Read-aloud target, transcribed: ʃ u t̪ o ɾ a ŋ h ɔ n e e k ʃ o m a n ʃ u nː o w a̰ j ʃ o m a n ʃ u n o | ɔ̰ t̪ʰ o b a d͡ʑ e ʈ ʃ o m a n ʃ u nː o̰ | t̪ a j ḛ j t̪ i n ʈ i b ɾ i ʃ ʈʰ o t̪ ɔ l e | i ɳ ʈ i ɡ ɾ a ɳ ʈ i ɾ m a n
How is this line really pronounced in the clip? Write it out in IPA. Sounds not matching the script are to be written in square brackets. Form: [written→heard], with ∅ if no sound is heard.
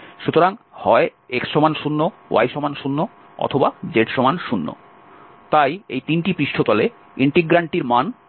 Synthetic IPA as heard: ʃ u t̪ o ɾ a ŋ h ɔ [n→∅] e e k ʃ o m a n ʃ u nː o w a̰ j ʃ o m a n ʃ u [n→nː] o | ɔ̰ t̪ʰ o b a d͡ʑ e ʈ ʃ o m a n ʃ u nː o̰ | t̪ a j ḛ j t̪ i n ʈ i [b→p] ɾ i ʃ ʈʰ o t̪ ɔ l e | i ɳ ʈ i ɡ ɾ a ɳ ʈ i ɾ m a n